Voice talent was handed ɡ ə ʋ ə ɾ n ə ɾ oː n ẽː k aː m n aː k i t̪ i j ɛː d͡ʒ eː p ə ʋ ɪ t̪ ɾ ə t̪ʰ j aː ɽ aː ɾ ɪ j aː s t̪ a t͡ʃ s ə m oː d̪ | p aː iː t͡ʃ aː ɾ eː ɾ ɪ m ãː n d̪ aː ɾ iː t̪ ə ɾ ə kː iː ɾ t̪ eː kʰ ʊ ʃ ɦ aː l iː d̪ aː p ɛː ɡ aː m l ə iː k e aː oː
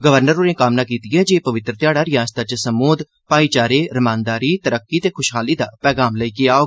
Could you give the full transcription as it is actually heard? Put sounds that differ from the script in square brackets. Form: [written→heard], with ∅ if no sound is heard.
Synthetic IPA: ɡ ə ʋ ə ɾ n ə ɾ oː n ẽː k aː m n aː k [i→iː] t̪ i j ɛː d͡ʒ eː p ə ʋ ɪ t̪ ɾ ə [t̪ʰ→t̪] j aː ɽ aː ɾ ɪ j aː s t̪ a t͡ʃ s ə m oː d̪ | p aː iː t͡ʃ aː ɾ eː ɾ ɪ m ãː n d̪ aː ɾ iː t̪ ə ɾ ə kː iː [ɾ→∅] t̪ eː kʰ ʊ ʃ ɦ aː l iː d̪ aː p ɛː ɡ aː m l ə iː k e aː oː